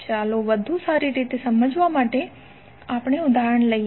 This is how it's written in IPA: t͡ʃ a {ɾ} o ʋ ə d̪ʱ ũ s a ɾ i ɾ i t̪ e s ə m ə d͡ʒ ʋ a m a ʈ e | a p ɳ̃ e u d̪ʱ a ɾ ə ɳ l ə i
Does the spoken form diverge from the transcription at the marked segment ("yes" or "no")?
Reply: yes